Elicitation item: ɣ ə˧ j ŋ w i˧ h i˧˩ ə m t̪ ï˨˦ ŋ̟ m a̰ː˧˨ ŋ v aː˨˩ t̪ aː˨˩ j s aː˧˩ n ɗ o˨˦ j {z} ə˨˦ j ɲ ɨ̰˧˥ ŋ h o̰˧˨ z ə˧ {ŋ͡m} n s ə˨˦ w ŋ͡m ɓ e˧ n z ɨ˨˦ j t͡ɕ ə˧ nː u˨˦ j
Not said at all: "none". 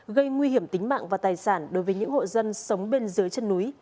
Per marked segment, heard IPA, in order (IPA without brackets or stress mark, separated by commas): v, none